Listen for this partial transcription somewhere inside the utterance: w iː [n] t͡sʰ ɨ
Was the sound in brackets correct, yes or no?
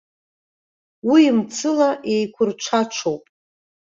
no